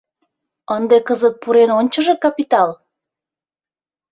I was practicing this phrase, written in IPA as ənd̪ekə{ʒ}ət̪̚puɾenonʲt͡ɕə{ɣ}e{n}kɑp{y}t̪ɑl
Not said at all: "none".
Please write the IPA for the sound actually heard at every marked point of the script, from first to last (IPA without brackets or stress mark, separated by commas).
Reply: z, ʒ, none, i